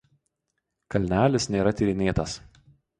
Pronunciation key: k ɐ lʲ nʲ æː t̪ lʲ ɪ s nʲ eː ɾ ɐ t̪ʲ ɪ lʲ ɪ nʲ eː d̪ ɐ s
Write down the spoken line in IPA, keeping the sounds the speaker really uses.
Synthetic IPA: k ɐ lʲ nʲ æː lʲ ɪ s nʲ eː ɾ ɐ t̪ʲ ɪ ɾʲ ɪ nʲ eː t̪ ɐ s

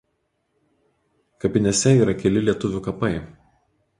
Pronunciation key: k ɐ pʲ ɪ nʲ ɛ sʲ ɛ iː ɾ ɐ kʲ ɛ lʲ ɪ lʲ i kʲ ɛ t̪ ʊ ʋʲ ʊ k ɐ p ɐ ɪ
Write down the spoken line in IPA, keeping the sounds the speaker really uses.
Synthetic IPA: k ɐ pʲ ɪ nʲ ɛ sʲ ɛ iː ɾ ɐ kʲ ɛ lʲ ɪ lʲ i ɛ t̪ ʊ ʋʲ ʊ k ɐ p ɐ ɪ

